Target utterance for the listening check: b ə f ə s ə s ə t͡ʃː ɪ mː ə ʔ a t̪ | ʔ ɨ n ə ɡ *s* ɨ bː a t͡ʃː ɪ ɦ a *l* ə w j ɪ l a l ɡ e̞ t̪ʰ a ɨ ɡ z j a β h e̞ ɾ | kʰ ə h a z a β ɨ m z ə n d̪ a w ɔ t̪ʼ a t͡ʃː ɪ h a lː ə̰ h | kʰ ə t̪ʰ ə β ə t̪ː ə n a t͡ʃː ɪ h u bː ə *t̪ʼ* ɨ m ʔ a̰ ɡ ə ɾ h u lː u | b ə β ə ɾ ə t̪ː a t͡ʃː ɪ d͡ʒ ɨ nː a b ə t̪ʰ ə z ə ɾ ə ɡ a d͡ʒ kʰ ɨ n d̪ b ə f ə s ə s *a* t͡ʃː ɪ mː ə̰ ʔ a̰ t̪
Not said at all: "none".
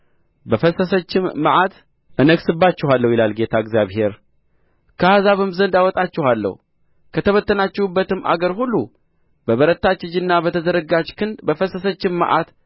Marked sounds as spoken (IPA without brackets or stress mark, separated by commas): s, lː, t̪, ə